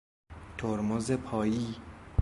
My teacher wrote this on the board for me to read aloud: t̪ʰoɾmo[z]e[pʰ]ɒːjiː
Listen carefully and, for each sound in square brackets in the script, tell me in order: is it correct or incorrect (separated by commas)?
correct, correct